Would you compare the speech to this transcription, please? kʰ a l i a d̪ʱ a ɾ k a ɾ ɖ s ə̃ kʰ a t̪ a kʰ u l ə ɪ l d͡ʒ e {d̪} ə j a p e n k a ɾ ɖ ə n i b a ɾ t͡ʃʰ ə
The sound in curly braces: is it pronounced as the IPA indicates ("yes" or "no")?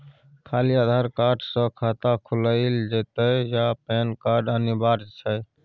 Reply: no